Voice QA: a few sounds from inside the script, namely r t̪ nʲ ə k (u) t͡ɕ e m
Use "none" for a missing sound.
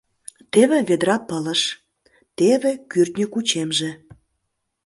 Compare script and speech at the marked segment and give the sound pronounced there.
u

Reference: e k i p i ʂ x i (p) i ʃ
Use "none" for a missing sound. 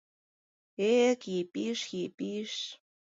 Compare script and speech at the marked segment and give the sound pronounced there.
p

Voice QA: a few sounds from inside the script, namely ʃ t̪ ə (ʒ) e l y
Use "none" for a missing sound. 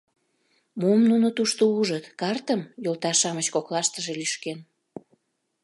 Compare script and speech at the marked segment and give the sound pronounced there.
ʒ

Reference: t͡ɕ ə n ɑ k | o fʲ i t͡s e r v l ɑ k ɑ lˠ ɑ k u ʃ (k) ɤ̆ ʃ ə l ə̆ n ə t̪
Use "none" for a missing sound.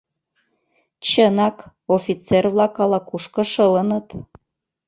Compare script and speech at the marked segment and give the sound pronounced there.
k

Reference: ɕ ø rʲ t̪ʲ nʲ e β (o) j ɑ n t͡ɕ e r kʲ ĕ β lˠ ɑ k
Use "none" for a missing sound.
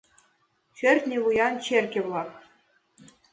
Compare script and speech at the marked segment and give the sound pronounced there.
u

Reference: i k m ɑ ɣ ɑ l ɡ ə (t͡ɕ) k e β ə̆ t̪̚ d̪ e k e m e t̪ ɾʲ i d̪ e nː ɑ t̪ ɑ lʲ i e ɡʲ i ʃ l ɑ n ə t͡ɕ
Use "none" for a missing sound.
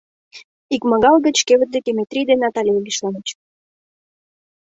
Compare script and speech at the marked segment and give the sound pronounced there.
t͡ɕ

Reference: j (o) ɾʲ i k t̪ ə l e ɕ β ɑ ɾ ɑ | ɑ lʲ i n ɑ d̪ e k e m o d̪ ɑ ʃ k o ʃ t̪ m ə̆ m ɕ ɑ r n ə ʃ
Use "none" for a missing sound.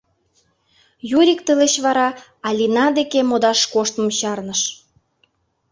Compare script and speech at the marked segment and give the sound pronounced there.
u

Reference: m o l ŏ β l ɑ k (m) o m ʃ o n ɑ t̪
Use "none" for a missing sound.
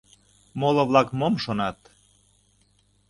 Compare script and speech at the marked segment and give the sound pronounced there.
m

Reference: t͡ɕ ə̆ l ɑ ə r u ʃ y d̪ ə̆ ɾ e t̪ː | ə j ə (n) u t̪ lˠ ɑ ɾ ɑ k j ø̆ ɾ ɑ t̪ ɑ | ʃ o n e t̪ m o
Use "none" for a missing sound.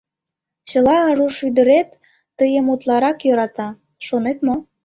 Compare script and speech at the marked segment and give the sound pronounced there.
m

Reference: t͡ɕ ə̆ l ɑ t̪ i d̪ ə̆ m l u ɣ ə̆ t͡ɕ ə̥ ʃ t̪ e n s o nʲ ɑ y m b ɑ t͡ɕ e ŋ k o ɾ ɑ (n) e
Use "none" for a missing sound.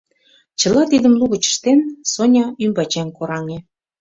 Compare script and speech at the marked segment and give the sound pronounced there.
ŋ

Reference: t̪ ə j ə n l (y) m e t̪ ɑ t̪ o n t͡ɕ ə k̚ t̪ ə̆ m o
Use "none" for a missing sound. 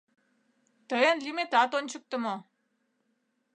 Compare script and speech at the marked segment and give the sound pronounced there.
i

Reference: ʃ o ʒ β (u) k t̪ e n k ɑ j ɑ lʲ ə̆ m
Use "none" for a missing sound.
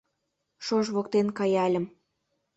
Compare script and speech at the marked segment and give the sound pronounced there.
o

